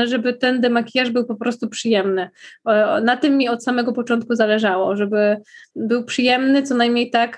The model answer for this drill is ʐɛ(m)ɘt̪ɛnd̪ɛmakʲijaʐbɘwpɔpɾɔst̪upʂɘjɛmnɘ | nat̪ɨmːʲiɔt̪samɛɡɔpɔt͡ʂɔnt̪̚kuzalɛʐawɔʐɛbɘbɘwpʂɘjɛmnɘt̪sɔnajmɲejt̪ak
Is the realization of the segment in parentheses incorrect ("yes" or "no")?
yes